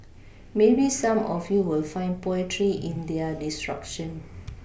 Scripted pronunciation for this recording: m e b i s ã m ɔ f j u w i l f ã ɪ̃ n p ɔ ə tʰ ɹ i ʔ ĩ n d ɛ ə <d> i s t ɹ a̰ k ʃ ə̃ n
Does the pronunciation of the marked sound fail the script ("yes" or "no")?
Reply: no